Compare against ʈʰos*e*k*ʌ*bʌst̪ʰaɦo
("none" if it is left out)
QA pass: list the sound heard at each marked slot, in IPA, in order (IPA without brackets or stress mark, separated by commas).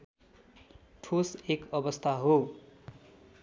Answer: e, ʌ